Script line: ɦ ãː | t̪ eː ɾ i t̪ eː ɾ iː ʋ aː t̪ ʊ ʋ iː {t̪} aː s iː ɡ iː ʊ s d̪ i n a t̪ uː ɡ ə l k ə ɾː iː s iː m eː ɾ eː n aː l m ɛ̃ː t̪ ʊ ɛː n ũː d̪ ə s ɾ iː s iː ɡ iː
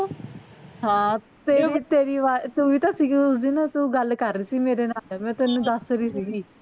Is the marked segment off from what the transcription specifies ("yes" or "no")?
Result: no